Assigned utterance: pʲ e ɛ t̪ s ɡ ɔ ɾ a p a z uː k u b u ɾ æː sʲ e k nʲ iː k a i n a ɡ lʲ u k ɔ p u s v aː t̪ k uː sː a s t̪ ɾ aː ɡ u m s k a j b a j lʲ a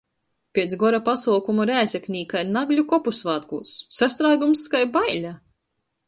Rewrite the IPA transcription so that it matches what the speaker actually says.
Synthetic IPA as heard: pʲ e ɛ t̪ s ɡ ɔ ɾ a p a s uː k u m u ɾ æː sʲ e k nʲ iː k a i n a ɡ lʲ u k ɔ p u s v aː t̪ k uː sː a s t̪ ɾ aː ɡ u m s k a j b a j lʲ a